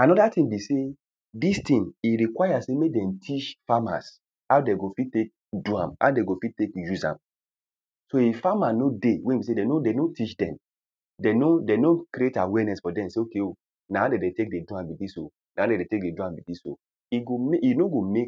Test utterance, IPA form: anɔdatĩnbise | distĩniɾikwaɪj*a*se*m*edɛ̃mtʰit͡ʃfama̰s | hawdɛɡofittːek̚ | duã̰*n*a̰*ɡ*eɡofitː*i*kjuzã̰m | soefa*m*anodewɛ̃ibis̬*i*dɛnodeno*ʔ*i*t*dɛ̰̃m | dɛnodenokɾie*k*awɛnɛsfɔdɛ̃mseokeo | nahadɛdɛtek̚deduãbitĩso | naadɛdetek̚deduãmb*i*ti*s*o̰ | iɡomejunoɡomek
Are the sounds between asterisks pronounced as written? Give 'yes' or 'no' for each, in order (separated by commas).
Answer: yes, yes, no, no, no, yes, no, no, no, no, yes, yes